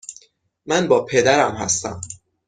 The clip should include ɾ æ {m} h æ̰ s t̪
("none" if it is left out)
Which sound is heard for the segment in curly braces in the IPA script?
m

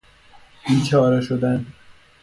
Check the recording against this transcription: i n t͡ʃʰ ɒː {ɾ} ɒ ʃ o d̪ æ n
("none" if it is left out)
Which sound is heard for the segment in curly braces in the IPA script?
ɾ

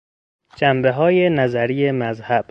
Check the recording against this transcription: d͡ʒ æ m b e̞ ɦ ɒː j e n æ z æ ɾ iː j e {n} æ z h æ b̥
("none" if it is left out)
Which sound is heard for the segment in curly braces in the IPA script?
m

